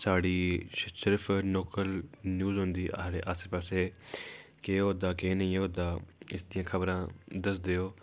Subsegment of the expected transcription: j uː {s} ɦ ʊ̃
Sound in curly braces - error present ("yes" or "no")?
yes